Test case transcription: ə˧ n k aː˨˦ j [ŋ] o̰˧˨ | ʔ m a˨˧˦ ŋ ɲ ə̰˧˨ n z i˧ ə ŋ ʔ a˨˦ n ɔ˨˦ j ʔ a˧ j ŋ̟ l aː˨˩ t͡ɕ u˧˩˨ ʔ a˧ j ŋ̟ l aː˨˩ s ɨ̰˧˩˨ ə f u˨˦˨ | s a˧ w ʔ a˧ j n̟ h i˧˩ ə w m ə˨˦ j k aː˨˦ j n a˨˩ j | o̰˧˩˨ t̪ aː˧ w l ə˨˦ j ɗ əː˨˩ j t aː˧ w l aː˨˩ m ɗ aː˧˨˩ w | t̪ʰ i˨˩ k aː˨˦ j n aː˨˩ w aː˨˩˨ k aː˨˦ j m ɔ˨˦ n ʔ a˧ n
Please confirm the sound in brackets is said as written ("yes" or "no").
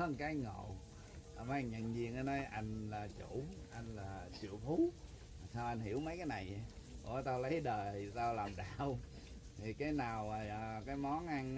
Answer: yes